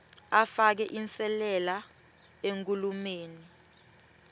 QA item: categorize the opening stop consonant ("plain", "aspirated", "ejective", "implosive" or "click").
plain